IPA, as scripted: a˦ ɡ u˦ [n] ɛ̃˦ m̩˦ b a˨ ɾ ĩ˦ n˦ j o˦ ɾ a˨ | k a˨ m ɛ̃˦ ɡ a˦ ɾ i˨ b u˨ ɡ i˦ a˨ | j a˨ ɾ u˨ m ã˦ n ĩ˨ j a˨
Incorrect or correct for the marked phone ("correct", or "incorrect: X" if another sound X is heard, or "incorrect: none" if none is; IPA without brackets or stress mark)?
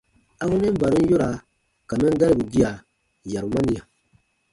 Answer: correct